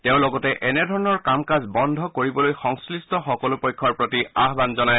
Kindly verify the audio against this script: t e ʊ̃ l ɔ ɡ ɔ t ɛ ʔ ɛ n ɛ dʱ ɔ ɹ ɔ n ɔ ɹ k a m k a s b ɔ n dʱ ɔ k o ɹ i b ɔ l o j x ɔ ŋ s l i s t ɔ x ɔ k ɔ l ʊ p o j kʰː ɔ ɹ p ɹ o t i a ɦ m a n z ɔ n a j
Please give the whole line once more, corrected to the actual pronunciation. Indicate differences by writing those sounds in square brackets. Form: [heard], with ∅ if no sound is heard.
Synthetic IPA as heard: t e ʊ̃ l ɔ ɡ ɔ t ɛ ʔ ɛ n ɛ dʱ ɔ ɹ ɔ n ɔ ɹ k a m k a [z] b ɔ n dʱ ɔ k o ɹ i b ɔ l o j x ɔ ŋ s l i s t ɔ x ɔ k ɔ l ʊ p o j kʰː ɔ ɹ p ɹ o t i a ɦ [b] a n z ɔ n a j